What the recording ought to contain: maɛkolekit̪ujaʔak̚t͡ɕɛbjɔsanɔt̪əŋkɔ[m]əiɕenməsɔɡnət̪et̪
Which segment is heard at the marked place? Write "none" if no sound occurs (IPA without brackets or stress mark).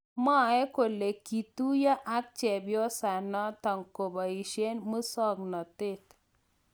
b